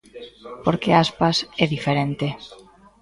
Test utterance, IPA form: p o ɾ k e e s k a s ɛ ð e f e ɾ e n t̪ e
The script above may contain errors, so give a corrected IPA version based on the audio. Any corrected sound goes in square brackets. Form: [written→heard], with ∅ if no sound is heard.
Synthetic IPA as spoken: p o ɾ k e [e→a] s [k→p] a s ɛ ð [e→i] f e ɾ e n t̪ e